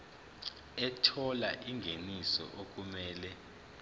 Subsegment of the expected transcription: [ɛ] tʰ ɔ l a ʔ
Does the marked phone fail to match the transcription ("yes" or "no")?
no